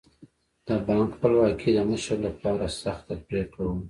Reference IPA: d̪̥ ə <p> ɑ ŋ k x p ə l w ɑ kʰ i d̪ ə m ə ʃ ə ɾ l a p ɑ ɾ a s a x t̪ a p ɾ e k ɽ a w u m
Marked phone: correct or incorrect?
incorrect